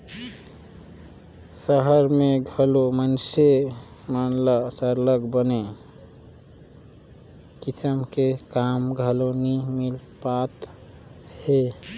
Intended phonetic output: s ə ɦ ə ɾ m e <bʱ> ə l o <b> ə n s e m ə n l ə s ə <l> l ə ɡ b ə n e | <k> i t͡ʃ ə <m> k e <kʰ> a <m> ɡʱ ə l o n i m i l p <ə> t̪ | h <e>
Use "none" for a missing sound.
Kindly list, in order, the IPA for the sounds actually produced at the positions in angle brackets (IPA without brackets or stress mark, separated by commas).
ɡʱ, m, ɾ, k, m, k, m, a, e